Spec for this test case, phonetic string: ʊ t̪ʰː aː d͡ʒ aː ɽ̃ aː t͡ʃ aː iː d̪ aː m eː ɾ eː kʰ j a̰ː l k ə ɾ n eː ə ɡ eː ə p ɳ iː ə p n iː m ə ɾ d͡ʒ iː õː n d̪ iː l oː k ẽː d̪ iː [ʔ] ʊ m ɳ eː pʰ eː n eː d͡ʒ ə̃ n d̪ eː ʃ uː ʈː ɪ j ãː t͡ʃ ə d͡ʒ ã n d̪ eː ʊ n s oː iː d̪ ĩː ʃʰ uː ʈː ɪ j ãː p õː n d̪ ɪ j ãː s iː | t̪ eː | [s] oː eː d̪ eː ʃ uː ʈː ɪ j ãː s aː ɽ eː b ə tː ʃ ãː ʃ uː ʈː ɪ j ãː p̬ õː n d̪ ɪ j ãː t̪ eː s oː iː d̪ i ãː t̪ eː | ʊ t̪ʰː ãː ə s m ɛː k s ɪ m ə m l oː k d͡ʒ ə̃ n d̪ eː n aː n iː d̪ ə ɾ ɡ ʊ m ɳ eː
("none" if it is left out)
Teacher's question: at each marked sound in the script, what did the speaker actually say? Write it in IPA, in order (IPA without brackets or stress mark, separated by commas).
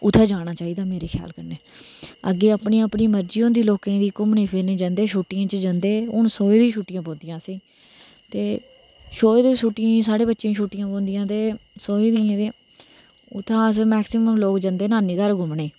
k, ʃ